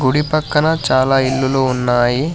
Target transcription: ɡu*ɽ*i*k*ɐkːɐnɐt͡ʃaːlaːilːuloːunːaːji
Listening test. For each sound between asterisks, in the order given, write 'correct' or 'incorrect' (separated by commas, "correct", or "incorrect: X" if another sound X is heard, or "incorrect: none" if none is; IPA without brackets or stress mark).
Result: correct, incorrect: p